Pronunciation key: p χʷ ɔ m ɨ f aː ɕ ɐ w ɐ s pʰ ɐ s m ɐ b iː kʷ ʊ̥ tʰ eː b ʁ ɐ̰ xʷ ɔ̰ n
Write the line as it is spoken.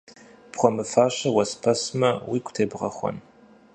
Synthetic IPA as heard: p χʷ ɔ m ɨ f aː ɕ ɐ w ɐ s pʰ ɐ s m ɐ w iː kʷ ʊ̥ tʰ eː b ʁ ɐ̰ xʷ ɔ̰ n